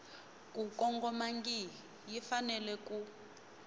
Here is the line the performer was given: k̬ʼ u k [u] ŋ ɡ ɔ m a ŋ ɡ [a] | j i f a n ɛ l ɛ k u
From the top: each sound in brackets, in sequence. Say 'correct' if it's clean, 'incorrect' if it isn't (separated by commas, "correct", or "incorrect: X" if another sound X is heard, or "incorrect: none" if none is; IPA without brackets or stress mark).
incorrect: ɔ, incorrect: i